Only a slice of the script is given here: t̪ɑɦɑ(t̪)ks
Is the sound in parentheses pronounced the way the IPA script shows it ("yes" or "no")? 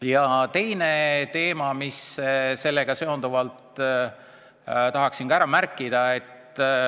no